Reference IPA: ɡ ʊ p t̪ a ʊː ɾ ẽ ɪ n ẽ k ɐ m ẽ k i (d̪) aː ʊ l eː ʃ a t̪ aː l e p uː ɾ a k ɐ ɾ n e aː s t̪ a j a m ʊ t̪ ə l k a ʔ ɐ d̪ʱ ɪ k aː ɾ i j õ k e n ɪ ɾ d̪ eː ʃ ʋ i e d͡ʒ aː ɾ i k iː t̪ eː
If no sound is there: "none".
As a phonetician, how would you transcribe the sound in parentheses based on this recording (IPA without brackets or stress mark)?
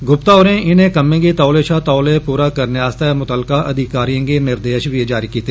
t̪